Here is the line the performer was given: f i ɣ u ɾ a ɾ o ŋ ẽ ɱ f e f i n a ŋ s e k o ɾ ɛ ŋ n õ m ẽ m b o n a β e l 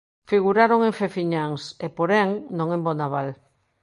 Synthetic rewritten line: f i ɣ u ɾ a ɾ o ŋ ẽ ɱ f e f i ɲ a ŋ s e p o ɾ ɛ ŋ n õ ŋ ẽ m b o n a β a l